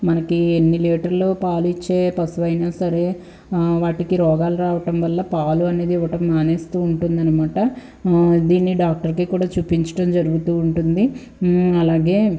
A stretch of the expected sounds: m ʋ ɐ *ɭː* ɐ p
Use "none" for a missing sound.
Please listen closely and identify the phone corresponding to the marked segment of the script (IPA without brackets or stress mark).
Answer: lː